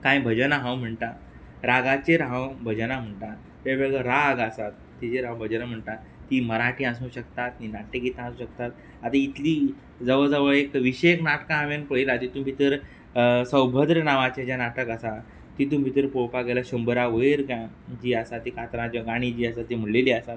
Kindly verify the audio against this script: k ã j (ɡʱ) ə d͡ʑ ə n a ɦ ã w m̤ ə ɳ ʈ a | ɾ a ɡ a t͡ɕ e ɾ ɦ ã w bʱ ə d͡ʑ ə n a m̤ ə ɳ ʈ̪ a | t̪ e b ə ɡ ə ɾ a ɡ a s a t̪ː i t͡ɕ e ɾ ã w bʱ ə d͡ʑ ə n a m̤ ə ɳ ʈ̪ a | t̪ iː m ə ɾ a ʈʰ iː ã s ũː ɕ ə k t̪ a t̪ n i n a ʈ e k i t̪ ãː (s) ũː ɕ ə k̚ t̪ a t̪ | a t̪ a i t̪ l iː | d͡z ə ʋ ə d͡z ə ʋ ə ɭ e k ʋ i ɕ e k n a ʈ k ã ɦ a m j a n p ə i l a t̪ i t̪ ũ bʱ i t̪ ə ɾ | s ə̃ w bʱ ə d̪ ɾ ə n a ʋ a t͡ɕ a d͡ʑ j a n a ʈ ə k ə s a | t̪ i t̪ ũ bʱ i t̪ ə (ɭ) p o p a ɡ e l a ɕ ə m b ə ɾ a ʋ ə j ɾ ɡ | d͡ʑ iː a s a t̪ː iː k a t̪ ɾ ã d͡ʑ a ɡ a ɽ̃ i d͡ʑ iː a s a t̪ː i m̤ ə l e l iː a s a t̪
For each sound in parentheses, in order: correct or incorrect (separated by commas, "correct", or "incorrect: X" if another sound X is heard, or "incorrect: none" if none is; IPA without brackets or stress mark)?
incorrect: bʱ, correct, incorrect: ɾ